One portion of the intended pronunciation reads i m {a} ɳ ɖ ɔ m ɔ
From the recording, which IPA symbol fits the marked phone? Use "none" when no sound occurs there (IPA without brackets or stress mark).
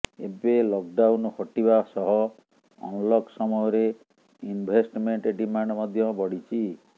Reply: a